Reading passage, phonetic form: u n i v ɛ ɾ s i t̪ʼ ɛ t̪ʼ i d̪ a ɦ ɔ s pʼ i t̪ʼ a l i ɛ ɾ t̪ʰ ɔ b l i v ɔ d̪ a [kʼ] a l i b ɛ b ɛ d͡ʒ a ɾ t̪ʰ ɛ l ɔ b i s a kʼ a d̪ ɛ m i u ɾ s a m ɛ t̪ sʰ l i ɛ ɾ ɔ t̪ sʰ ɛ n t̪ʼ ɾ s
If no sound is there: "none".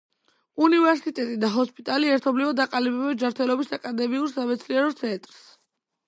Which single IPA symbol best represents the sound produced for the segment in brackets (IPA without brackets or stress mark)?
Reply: qʼ